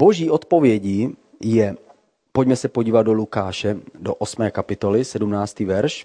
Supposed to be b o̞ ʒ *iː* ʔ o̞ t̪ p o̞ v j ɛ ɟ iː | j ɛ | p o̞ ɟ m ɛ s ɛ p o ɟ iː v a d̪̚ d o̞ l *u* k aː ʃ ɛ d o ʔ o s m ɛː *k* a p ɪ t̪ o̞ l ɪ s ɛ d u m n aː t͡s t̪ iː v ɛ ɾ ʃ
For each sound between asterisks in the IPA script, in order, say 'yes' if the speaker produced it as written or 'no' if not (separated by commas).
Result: yes, yes, yes